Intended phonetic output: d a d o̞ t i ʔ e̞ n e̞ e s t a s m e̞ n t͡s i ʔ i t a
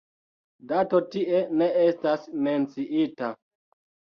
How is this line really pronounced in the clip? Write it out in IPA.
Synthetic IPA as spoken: d a t o̞ t i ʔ e̞ n e̞ e s t a s m e̞ n t͡s i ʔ i t a